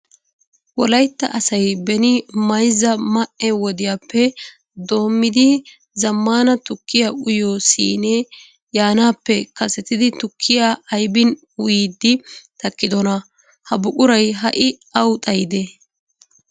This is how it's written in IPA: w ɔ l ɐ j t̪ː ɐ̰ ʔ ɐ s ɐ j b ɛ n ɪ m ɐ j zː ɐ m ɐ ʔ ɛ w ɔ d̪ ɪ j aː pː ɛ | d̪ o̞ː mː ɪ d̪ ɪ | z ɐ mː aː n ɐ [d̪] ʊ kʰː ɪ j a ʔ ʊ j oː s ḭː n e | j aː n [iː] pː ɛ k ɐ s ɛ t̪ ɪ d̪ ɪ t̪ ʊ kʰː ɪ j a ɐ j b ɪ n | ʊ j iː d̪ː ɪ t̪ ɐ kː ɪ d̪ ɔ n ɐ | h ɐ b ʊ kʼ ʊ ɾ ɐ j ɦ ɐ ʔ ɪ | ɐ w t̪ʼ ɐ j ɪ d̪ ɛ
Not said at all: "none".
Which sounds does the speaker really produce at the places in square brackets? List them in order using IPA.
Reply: t̪, aː

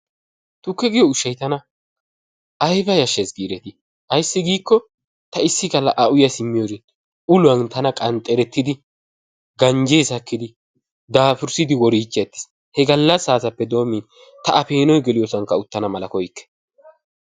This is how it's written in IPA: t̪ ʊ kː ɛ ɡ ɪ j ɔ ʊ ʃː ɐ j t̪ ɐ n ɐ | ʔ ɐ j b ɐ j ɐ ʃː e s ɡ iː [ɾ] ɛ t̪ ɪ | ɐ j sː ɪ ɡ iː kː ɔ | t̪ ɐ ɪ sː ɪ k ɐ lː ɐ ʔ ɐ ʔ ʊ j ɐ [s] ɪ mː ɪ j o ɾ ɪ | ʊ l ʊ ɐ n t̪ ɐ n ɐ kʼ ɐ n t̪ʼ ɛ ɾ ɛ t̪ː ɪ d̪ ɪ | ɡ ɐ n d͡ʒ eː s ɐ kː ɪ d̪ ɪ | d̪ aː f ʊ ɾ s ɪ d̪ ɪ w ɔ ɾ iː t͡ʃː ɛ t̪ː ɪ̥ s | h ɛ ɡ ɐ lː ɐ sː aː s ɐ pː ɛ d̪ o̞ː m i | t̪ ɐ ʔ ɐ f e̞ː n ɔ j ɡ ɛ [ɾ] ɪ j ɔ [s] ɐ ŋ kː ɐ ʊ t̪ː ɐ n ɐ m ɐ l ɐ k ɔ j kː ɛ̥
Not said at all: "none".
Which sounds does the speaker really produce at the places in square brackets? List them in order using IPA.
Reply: ɾ, s, l, s

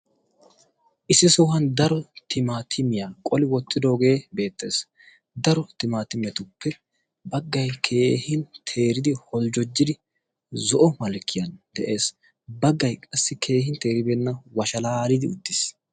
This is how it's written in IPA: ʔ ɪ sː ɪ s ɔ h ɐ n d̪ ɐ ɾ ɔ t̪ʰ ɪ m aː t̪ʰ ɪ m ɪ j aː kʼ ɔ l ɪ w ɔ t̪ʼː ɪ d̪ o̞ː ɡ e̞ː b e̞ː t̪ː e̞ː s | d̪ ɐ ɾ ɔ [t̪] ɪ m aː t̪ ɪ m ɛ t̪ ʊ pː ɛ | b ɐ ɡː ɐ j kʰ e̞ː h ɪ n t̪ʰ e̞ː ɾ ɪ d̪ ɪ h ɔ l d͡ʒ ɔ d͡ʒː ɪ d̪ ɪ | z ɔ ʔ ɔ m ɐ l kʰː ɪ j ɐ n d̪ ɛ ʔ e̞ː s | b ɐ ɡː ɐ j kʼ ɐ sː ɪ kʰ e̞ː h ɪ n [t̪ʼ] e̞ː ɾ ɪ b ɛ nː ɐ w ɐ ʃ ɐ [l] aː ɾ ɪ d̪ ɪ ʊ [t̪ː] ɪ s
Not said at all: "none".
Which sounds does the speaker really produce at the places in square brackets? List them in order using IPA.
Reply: t̪, t̪, l, d̪ː

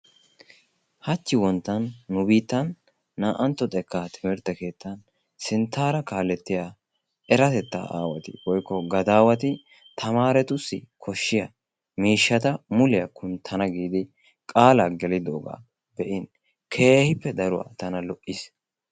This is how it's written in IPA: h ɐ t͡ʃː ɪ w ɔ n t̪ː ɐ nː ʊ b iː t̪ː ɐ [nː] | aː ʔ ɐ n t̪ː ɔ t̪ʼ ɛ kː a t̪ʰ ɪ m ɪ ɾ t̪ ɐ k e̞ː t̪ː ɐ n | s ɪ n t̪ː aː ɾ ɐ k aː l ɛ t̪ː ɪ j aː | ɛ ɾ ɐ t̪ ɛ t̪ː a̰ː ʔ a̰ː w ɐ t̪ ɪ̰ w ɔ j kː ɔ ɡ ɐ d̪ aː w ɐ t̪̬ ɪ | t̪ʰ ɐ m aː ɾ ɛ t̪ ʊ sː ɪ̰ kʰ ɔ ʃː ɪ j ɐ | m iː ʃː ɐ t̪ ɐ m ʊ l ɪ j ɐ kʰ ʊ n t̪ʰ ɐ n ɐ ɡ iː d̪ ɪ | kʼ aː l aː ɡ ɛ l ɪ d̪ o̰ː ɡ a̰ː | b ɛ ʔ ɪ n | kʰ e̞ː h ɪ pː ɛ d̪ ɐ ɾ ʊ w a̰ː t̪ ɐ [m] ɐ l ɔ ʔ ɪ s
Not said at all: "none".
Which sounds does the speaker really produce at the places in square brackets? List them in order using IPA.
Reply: nː, n

